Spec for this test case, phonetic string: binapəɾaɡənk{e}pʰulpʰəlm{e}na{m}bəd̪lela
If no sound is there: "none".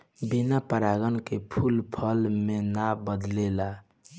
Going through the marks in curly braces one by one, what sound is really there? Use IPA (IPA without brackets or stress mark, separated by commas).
e, e, none